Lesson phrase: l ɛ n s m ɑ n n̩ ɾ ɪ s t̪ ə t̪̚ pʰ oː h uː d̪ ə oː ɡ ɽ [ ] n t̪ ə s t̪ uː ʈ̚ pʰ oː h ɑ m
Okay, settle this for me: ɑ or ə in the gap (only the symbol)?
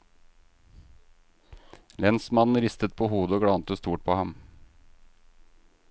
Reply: ɑ